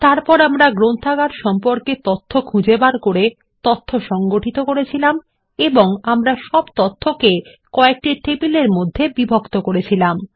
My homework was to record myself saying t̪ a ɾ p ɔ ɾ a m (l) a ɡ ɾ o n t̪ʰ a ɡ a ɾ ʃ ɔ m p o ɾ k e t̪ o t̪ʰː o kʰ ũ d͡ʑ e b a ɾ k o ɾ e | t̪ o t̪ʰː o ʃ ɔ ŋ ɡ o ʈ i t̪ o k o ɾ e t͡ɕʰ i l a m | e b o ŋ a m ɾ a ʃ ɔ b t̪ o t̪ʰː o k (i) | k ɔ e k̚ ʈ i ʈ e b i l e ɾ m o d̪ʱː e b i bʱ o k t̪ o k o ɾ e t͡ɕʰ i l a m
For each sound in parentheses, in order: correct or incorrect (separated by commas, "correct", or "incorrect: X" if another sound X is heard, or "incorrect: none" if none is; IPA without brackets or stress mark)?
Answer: incorrect: ɾ, incorrect: e